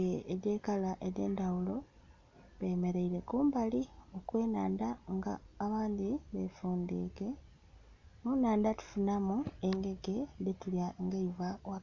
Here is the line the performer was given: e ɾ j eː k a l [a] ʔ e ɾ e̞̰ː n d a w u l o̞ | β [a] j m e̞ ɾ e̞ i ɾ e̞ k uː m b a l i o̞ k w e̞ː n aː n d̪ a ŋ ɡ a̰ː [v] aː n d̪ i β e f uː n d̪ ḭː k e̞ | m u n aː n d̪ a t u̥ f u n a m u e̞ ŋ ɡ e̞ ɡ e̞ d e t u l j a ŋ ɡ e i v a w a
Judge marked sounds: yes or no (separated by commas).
yes, no, no